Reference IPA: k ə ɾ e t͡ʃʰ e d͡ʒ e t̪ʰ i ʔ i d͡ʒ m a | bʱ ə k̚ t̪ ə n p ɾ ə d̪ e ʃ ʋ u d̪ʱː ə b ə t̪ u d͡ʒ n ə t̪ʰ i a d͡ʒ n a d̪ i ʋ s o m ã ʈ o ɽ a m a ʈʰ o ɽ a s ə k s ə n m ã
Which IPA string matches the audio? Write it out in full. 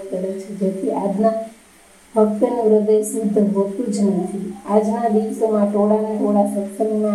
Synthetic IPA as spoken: k ə ɾ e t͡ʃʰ e d͡ʒ e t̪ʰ i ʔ a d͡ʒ n a | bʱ ə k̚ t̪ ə n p ɾ ə d̪ e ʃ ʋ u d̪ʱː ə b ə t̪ u d͡ʒ n ə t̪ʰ i a d͡ʒ n a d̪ i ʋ s o m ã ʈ o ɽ a n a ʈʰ o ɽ a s ə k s ə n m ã